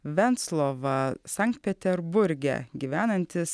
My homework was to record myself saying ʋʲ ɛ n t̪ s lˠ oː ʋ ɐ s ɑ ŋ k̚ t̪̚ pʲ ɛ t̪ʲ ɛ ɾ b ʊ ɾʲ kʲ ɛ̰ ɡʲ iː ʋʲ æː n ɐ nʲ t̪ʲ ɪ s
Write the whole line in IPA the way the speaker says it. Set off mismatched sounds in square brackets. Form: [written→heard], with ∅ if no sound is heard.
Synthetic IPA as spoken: ʋʲ ɛ n t̪ s lˠ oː ʋ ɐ s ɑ ŋ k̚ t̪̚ pʲ ɛ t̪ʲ ɛ ɾ b ʊ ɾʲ [kʲ→ɡʲ] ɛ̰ ɡʲ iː ʋʲ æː n ɐ nʲ t̪ʲ ɪ s